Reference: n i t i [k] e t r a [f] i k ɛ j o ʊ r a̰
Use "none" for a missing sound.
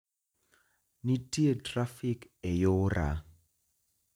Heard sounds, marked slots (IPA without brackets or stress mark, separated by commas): none, f